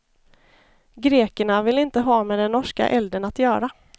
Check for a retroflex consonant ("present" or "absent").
present